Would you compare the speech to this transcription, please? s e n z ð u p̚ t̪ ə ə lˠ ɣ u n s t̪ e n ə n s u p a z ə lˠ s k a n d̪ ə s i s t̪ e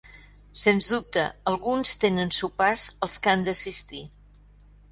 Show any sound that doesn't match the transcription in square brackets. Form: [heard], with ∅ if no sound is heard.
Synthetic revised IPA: s e n z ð u p̚ t̪ ə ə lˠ ɣ u n s t̪ e n ə n s u p a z ə lˠ s k a n d̪ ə s i s t̪ [i]